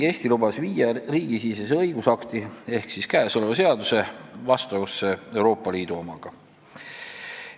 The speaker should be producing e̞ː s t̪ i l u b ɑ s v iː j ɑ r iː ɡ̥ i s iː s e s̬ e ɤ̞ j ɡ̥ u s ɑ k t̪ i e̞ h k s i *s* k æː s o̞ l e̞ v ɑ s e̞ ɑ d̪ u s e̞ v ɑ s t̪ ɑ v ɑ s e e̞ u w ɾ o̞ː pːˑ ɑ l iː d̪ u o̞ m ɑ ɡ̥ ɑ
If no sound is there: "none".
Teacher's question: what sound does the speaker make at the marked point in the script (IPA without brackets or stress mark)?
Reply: s